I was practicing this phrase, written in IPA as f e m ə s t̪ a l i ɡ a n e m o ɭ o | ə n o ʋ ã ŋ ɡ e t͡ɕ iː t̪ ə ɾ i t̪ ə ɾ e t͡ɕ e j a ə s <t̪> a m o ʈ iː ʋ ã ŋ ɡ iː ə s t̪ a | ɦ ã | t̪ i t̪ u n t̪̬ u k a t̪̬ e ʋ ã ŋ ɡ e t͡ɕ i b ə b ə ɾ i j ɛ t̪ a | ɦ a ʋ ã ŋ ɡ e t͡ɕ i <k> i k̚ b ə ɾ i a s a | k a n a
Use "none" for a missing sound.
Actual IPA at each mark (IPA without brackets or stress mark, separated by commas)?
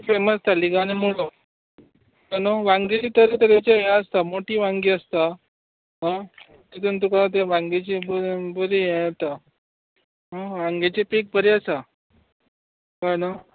t̪, p